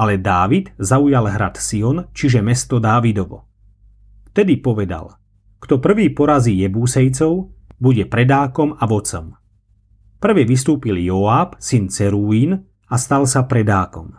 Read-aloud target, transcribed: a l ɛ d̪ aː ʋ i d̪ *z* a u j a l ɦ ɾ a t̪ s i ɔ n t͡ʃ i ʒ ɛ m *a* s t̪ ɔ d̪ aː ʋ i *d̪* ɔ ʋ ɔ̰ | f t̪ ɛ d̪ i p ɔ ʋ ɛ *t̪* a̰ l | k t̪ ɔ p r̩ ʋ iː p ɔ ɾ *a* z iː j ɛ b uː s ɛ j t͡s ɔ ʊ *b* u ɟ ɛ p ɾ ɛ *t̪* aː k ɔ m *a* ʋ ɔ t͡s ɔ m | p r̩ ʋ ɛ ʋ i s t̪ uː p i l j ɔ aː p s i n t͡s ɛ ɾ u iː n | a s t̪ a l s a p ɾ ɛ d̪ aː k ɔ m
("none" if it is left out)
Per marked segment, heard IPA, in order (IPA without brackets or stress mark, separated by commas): z, ɛ, d̪, d̪, a, b, d̪, a